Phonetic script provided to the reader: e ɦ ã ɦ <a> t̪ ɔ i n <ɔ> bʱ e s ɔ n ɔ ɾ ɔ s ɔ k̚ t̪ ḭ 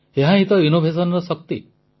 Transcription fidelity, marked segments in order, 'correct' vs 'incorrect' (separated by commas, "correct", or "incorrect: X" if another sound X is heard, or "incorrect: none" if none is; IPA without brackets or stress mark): incorrect: i, incorrect: o